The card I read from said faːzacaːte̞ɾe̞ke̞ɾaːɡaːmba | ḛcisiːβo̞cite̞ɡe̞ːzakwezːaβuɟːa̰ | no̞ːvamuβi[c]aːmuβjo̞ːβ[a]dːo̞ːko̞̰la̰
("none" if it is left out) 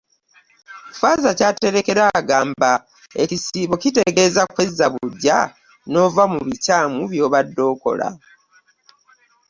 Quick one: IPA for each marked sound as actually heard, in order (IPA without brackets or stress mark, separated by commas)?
c, a